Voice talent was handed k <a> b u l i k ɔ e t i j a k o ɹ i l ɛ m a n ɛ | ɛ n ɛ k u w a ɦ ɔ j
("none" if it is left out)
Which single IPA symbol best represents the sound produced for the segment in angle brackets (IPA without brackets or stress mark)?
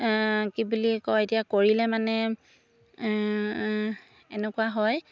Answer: i